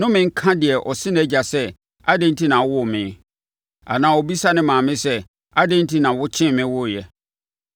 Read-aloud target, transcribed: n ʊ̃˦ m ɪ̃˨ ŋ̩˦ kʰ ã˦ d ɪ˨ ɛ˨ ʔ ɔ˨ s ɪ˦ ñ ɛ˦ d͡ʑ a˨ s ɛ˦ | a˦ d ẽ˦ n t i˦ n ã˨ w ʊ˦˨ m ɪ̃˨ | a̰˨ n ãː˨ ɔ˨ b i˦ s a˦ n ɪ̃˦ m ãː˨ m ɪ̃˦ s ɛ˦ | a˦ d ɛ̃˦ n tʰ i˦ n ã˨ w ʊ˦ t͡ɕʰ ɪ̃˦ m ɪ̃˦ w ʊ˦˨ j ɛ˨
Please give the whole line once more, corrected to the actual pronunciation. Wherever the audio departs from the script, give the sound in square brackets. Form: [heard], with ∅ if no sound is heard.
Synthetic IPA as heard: n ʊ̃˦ m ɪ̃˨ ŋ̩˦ kʰ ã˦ d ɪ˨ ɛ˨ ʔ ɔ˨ s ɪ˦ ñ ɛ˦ d͡ʑ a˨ s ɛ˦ | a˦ d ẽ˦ n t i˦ n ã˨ w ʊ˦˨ m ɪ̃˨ | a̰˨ n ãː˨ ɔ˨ b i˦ s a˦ n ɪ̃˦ m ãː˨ m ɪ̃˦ s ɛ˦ | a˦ d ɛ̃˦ n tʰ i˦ n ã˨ w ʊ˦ t͡ɕʰ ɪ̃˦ m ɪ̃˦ w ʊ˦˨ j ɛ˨